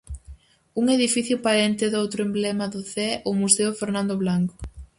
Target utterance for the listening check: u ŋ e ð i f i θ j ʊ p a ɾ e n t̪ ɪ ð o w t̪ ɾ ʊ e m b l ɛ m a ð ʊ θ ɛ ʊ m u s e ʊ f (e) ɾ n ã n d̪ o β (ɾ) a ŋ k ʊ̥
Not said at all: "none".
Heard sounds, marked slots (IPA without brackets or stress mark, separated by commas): e, l